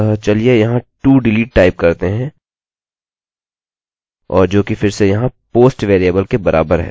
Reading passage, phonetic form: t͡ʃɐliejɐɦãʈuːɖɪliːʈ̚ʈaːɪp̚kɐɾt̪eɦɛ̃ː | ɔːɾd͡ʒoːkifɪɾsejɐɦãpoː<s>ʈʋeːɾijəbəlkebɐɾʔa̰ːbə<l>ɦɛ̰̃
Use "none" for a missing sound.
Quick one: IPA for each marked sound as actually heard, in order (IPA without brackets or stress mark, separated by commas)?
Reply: s, ɾ